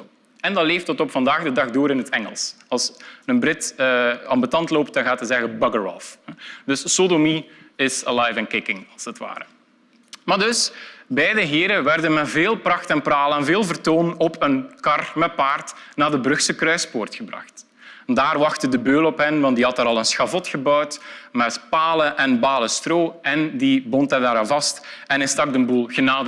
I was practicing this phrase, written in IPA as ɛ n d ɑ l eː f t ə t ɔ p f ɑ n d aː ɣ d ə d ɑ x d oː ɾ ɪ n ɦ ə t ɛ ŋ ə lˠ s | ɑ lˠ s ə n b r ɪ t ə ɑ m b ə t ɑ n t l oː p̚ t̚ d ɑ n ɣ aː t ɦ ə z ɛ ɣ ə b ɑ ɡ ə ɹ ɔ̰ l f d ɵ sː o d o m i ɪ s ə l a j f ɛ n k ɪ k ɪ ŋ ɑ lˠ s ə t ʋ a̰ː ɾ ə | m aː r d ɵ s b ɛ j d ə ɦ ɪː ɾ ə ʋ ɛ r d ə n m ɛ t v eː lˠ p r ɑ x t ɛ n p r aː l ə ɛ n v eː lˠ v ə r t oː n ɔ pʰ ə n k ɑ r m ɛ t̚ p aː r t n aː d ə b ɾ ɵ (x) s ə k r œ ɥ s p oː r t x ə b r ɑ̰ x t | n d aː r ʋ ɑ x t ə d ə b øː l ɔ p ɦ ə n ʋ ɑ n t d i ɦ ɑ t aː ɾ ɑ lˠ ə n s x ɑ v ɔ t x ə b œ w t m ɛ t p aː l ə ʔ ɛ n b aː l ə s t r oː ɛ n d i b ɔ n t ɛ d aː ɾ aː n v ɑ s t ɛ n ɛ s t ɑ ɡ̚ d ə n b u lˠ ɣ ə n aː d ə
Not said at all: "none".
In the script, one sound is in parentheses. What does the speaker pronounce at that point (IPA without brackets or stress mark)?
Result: x